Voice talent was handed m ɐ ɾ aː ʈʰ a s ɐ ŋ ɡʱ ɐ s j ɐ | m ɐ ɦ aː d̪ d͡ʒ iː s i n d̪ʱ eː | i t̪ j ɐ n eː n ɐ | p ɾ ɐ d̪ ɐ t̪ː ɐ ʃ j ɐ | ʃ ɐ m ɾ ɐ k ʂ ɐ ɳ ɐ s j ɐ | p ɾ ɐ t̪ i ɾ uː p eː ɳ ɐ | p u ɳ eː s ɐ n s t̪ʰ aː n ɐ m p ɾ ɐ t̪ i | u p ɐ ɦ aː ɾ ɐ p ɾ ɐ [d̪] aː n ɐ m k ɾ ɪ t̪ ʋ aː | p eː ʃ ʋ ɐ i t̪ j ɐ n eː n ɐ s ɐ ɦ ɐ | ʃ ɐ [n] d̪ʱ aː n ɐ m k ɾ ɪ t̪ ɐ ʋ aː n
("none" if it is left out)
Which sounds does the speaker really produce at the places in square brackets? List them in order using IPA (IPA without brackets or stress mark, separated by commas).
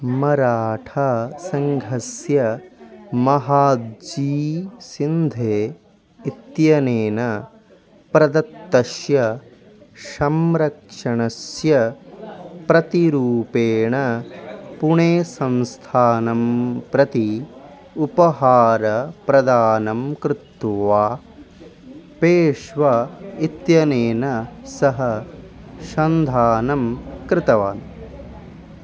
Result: d̪, n